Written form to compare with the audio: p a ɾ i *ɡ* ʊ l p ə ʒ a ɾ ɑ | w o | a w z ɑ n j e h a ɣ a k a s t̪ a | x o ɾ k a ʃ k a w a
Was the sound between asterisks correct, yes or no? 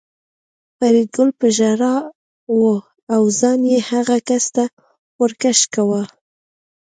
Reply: yes